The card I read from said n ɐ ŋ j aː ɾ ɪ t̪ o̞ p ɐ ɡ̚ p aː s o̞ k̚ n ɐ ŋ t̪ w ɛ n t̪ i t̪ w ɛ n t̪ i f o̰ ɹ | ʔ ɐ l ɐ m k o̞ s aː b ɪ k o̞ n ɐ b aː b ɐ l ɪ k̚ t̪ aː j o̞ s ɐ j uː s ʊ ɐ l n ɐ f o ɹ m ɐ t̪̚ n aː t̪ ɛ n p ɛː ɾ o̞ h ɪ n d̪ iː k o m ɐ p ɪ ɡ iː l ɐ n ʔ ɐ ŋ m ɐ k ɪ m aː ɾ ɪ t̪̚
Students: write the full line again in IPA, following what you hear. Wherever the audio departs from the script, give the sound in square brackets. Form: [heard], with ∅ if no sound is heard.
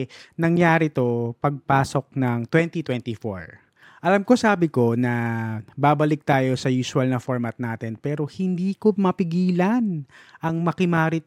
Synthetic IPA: n ɐ ŋ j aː ɾ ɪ t̪ o̞ p ɐ ɡ̚ p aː s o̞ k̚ n ɐ ŋ t̪ w ɛ n t̪ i t̪ w ɛ n t̪ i f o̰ ɹ | ʔ ɐ l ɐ m k o̞ s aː b ɪ k o̞ n ɐ b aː b ɐ l ɪ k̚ t̪ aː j o̞ s ɐ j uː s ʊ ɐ l n ɐ f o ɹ m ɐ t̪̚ n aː t̪ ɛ n p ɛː ɾ o̞ h ɪ n d̪ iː k o m ɐ p ɪ ɡ iː l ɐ n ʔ ɐ ŋ m ɐ k ɪ m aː ɾ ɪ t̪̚